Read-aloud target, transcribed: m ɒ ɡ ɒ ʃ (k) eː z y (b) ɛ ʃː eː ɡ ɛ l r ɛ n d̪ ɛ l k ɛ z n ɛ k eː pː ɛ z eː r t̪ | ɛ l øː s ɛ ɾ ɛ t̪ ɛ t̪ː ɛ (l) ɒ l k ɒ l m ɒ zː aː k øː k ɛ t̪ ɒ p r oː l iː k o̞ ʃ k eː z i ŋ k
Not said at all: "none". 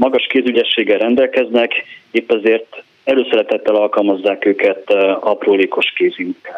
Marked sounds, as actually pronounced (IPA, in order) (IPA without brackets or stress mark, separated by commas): k, ɟ, l